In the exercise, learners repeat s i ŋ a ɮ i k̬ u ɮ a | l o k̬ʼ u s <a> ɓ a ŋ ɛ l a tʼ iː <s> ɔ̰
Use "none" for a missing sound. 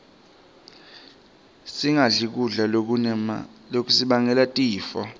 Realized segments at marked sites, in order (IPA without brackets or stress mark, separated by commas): i, f